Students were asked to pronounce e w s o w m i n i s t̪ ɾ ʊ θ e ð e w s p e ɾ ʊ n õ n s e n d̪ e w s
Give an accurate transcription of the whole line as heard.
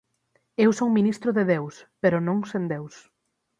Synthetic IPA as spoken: e w s o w m i n i s t̪ ɾ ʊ ð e ð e w s p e ɾ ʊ n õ ŋ s e n d̪ e w s